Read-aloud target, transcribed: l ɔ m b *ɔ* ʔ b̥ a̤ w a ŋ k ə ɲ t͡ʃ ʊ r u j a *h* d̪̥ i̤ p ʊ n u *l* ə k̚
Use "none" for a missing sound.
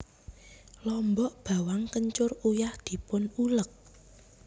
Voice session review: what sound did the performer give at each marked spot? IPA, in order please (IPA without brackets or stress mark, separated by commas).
ɔ, h, l